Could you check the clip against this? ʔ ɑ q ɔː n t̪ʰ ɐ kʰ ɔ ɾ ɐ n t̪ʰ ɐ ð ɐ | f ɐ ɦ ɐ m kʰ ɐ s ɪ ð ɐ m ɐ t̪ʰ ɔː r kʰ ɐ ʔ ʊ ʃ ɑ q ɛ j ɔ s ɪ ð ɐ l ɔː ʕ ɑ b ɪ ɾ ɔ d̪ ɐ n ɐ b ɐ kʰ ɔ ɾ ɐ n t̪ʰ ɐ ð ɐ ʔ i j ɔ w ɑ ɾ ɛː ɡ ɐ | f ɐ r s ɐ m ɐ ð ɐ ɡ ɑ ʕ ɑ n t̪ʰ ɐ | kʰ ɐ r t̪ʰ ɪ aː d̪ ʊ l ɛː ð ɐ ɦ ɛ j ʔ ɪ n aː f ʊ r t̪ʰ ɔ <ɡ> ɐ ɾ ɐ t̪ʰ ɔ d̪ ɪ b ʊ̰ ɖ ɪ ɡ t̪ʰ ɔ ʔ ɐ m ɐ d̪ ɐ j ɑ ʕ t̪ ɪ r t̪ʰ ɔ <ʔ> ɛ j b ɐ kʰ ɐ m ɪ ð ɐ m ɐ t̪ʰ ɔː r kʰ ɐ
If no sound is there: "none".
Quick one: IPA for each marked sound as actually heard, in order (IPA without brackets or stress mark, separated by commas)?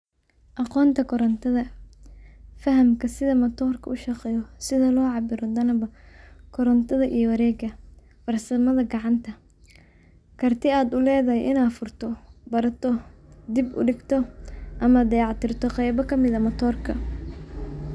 b, q